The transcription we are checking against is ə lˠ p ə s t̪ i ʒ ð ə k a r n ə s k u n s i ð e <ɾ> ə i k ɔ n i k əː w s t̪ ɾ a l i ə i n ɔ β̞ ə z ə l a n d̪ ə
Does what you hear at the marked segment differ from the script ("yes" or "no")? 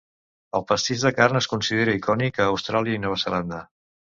no